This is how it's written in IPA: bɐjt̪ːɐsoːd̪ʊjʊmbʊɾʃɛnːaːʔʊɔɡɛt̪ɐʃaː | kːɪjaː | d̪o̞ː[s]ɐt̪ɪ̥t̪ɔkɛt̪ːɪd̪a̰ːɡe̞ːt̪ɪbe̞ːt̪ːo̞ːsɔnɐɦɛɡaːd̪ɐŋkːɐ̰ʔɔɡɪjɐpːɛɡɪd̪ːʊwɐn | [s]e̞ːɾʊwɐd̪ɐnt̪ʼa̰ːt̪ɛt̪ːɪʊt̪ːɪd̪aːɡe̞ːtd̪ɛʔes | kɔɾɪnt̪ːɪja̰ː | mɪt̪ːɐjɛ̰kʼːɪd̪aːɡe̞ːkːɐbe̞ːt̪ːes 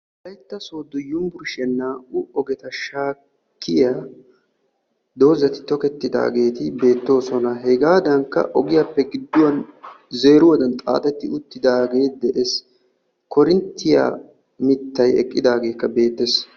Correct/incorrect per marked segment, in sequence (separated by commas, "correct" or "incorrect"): incorrect, incorrect